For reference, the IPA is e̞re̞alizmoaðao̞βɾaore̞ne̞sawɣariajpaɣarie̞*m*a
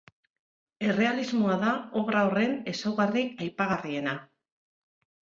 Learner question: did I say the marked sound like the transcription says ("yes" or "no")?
no